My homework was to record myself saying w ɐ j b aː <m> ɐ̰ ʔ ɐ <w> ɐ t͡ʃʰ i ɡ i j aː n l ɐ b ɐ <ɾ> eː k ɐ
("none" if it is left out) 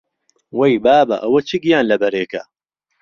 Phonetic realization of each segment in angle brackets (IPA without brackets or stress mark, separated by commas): b, w, ɾ